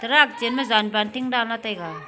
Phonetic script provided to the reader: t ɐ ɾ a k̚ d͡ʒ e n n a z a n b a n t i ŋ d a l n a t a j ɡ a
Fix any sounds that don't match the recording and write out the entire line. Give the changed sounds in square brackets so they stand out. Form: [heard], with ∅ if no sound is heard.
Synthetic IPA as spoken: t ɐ ɾ a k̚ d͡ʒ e n [m] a z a n b a n t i ŋ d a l n a t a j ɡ a